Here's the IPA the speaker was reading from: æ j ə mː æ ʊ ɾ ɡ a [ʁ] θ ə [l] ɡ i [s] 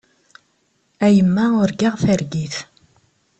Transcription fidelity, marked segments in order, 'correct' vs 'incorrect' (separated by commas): correct, incorrect, incorrect